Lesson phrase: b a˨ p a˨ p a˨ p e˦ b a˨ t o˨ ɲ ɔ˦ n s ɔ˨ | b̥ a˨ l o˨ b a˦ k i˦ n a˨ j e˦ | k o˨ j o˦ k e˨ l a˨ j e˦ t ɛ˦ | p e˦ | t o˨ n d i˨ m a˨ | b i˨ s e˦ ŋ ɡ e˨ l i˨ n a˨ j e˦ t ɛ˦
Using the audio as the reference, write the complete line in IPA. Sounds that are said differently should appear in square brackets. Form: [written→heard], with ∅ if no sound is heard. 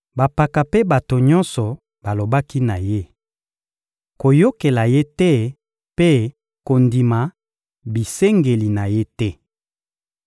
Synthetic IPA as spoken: b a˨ p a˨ [p→k] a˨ p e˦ b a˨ t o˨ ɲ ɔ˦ n s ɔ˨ | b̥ a˨ l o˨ b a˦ k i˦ n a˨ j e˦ | k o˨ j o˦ k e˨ l a˨ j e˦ t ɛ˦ | p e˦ | [t→k] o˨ n d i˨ m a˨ | b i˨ s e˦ ŋ ɡ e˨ l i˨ n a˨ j e˦ t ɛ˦

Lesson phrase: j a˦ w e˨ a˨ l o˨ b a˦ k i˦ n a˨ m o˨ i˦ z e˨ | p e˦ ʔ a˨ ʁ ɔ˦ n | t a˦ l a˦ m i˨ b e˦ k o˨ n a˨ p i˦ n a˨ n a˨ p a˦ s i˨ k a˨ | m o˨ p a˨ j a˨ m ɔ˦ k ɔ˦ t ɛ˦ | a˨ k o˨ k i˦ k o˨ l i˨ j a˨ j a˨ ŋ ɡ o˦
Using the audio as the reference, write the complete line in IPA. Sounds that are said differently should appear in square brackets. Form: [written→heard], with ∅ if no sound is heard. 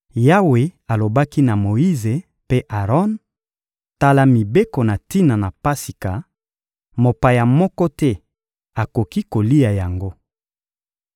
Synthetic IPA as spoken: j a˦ w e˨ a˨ l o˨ b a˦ k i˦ n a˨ m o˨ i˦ z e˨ | p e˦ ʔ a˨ ʁ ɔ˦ n | t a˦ l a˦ m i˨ b e˦ k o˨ n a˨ [p→t] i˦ n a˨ n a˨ p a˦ s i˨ k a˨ | m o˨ p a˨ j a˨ m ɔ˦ k ɔ˦ t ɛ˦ | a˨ k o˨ k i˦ k o˨ l [i˨→i˦] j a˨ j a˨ ŋ ɡ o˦

